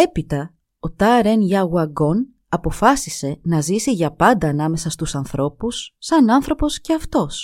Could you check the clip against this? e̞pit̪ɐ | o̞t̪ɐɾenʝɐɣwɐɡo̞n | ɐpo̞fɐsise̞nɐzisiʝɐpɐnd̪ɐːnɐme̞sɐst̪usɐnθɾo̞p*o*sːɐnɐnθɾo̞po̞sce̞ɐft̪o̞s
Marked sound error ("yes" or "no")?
yes